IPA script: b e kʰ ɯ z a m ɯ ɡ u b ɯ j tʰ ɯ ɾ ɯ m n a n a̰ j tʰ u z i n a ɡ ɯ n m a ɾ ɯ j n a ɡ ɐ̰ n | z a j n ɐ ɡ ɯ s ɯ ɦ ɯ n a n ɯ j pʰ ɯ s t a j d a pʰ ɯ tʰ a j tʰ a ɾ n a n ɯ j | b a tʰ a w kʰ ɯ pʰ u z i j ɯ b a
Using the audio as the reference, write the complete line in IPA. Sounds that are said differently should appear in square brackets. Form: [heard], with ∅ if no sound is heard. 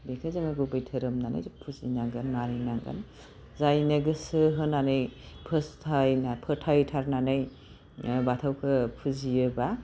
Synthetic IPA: b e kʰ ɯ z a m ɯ ɡ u b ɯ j tʰ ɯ ɾ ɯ m n a n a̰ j [pʰ] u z i n a ɡ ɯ n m a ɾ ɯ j n a ɡ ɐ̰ n | z a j n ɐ ɡ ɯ s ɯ ɦ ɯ n a n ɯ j pʰ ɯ s [tʰ] a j [n] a pʰ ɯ tʰ a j tʰ a ɾ n a n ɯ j | b a tʰ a w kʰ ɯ pʰ u z i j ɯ b a